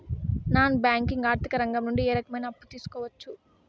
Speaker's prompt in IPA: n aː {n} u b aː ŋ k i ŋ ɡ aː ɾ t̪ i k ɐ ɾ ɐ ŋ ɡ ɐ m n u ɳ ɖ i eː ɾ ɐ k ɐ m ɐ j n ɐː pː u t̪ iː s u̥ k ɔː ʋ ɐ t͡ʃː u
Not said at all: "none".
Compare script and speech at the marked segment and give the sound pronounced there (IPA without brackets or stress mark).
n